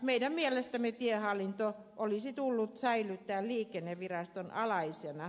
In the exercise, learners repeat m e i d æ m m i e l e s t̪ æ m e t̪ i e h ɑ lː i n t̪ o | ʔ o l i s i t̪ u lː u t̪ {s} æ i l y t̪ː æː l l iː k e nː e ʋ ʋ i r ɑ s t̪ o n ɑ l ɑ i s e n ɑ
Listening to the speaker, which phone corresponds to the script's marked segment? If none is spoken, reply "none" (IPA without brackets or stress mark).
s